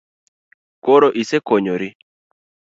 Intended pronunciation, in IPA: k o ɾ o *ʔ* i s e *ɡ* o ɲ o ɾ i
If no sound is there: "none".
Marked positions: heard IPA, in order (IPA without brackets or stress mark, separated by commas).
ʔ, k